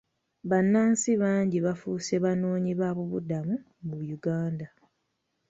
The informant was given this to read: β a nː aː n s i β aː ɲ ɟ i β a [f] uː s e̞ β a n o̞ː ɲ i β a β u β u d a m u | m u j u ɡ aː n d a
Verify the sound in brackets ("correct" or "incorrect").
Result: correct